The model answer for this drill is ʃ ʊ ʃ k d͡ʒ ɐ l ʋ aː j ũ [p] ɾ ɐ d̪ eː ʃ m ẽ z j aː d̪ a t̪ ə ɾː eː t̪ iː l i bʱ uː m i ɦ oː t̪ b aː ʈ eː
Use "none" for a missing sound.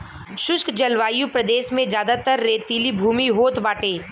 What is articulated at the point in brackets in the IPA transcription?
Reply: p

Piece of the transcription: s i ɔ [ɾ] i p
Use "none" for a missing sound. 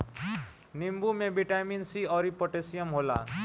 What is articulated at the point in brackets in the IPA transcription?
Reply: ɾ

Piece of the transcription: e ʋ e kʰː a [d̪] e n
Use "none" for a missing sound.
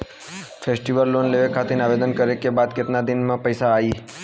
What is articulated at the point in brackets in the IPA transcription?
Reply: t̪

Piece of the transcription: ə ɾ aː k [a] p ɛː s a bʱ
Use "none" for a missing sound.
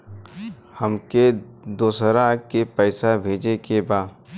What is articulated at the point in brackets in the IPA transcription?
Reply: e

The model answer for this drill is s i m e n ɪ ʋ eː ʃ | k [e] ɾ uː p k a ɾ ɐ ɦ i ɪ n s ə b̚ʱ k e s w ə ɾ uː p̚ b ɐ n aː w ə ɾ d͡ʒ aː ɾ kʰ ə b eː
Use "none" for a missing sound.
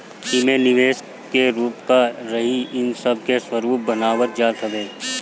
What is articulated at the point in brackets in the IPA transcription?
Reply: e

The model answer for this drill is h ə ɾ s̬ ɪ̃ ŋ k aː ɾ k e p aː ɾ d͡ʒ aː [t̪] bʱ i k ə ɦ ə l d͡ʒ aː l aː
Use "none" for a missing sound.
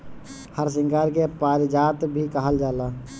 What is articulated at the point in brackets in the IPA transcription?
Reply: t̪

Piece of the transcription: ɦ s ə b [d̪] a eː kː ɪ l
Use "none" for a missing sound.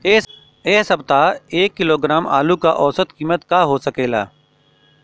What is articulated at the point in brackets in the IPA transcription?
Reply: t̪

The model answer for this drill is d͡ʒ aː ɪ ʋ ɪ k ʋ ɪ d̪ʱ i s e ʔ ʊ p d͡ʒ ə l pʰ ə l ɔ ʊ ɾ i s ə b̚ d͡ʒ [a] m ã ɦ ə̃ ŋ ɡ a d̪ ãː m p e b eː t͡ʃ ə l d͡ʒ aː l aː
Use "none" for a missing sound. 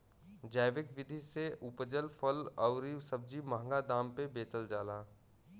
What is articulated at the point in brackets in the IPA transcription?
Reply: i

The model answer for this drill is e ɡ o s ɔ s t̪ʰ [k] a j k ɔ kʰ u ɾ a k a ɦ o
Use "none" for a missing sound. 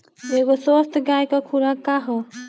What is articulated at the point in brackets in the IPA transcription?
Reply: ɡ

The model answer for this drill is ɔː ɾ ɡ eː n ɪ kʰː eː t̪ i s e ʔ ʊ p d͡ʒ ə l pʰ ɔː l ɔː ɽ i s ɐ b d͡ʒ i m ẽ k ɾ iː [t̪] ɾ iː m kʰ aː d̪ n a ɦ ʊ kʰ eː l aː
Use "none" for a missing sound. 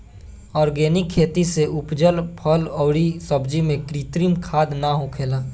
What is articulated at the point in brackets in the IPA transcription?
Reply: t̪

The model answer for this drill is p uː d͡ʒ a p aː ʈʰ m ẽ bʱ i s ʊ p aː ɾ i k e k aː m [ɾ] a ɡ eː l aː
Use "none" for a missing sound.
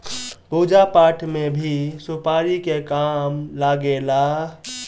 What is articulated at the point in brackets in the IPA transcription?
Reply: l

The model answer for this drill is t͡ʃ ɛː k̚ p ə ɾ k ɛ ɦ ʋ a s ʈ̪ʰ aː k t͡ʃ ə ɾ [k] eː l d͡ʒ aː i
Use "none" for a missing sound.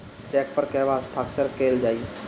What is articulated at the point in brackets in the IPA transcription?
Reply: k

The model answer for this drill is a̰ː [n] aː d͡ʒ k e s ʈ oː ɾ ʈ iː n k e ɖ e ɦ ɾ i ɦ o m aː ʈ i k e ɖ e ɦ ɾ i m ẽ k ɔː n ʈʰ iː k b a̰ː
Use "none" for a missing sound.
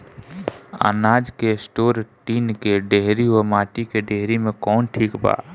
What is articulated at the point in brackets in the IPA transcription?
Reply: n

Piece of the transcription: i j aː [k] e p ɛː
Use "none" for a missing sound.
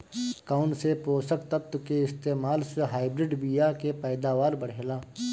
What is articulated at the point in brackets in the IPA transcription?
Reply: k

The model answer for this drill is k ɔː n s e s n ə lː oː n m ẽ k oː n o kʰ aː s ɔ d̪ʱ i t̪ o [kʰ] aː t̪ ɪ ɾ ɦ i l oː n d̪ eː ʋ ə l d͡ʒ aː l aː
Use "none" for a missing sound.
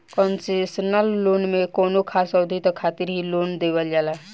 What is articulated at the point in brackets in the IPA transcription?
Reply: kʰ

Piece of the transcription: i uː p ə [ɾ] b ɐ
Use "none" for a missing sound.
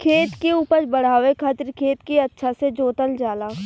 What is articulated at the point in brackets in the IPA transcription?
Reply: ɾ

